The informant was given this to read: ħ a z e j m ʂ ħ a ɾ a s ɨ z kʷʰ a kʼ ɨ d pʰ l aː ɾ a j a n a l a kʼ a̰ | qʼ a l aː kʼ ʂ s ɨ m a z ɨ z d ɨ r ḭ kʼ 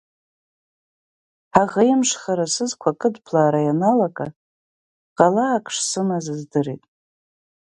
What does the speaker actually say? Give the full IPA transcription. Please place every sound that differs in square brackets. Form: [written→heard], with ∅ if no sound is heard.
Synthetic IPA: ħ a [z→ʁ] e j m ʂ [ħ→χ] a ɾ a s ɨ z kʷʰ a kʼ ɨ d pʰ l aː ɾ a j a n a l a kʼ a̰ | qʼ a l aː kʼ ʂ s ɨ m a z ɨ z d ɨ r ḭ [kʼ→tʼ]